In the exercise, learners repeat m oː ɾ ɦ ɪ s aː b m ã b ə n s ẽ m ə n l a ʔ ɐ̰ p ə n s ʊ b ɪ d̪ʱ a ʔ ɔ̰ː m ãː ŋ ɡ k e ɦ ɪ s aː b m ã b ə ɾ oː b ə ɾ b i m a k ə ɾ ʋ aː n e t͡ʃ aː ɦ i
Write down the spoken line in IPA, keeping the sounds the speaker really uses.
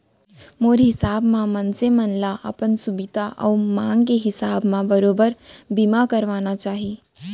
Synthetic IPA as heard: m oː ɾ ɦ ɪ s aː b m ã m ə n s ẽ m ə n l a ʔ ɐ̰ p ə n s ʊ b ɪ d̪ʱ a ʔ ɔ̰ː m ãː ŋ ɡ k e ɦ ɪ s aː b m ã b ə ɾ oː b ə ɾ b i m a k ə ɾ ʋ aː n a t͡ʃ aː ɦ i

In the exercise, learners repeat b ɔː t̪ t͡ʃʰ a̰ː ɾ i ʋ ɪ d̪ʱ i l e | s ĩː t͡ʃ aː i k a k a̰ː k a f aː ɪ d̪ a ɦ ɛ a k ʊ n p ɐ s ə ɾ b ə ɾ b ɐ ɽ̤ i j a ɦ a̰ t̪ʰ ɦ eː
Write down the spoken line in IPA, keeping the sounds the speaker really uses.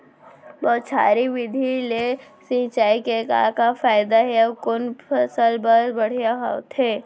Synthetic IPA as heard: b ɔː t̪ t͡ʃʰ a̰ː ɾ i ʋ ɪ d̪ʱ i l e | s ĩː t͡ʃ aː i k e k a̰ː k a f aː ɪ d̪ a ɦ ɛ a k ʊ n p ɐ s ə l b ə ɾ b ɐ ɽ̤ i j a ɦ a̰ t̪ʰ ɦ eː

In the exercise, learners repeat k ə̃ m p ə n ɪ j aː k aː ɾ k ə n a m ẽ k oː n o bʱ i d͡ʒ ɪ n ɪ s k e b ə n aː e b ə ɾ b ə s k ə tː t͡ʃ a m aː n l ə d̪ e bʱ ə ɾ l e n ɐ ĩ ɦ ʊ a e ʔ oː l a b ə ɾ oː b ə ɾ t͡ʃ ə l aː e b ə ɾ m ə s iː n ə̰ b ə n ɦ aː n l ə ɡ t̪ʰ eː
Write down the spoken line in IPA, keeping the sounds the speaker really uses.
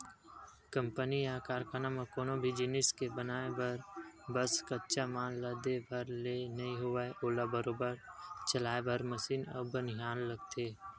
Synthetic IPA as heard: k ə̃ m p ə n i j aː k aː ɾ k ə n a m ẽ k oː n o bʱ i d͡ʒ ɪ n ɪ s k e b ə n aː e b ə ɾ b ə s k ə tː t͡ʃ a m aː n l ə d̪ e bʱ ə ɾ l e n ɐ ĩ ɦ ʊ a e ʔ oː l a b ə ɾ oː b ə ɾ t͡ʃ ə l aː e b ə ɾ m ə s iː n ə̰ b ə n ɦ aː n l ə ɡ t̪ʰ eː

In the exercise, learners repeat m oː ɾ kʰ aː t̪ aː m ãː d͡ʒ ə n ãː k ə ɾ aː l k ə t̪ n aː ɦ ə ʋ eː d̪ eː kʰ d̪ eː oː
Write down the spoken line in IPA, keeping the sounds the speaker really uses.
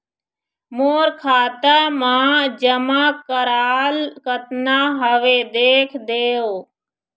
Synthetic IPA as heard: m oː ɾ kʰ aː t̪ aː m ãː d͡ʒ ə m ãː k ə ɾ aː l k ə t̪ n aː ɦ ə ʋ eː d̪ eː kʰ d̪ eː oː

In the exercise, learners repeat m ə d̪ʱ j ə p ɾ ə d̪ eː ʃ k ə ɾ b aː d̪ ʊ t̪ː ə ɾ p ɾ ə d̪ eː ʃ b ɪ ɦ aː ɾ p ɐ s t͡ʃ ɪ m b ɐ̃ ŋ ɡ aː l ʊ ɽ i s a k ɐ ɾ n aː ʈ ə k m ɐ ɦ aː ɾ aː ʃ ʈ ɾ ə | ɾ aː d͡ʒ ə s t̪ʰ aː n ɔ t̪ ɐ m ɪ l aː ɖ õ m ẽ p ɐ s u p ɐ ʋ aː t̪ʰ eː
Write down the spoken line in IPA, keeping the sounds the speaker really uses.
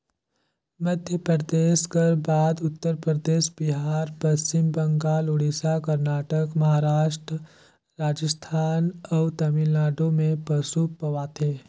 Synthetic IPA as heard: m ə d̪ʱ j ə p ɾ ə d̪ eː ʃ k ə ɾ b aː d̪ ʊ t̪ː ə ɾ p ɾ ə d̪ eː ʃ b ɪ ɦ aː ɾ p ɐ s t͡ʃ ɪ m b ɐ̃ ŋ ɡ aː l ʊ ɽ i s a k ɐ ɾ n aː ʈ ə k m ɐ ɦ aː ɾ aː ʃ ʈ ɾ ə | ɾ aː d͡ʒ ə s t̪ʰ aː n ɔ t̪ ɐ m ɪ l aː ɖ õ m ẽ p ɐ s u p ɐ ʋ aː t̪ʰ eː

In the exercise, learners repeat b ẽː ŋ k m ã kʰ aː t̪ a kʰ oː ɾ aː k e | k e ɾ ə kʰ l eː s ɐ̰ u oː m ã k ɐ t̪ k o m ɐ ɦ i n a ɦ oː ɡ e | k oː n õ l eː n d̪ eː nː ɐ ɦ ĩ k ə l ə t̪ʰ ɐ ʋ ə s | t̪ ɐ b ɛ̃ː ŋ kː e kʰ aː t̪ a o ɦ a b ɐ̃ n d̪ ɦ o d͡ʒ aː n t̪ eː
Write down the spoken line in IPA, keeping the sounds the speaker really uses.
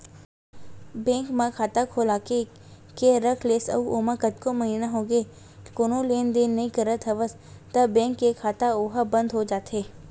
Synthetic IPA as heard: b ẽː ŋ k m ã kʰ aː t̪ a kʰ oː l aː k e | k e ɾ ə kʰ l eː s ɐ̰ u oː m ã k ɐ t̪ k o m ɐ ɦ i n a ɦ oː ɡ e | k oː n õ l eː n d̪ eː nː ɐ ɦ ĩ k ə ɾ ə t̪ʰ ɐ ʋ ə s | t̪ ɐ b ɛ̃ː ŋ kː e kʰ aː t̪ a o ɦ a b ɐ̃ n d̪ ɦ o d͡ʒ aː t̪ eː

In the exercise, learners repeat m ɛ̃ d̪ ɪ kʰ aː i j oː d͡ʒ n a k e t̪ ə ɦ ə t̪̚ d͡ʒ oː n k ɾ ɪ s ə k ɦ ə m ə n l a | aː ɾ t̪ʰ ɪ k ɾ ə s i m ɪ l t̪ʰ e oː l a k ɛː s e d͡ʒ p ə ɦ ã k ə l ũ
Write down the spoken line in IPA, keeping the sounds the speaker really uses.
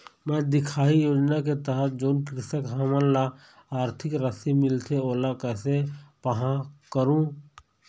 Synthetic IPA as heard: m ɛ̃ d̪ ɪ kʰ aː i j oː d͡ʒ n a k e t̪ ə ɦ ə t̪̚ d͡ʒ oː n k ɾ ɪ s ə k ɦ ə m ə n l a | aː ɾ t̪ʰ ɪ k ɾ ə s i m ɪ l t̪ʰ e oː l a k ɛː s e p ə ɦ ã k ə ɾ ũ

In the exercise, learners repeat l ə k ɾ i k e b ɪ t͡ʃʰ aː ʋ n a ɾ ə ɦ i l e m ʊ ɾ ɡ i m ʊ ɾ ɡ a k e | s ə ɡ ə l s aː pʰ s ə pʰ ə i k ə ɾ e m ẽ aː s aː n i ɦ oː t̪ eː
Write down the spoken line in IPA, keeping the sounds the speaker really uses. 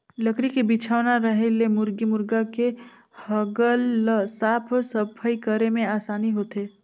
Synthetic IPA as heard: l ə k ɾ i k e b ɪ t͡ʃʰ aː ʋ n a ɾ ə ɦ e l e m ʊ ɾ ɡ i m ʊ ɾ ɡ a k e | h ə ɡ ə l s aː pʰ s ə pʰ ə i k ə ɾ e m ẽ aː s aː n i ɦ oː t̪ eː

